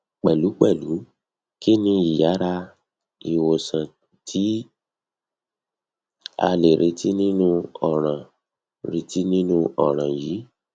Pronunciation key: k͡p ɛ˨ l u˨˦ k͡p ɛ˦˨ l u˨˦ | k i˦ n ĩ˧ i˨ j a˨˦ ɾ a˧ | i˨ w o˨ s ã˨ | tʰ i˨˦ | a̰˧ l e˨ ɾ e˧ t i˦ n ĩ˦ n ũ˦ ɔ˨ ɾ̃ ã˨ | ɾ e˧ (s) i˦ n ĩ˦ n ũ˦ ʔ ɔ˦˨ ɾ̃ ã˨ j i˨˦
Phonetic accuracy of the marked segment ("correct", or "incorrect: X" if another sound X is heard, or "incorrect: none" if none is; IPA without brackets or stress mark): incorrect: t